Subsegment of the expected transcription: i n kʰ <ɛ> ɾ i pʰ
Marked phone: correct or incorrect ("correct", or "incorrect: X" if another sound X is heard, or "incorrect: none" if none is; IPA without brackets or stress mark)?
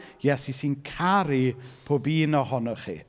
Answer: incorrect: a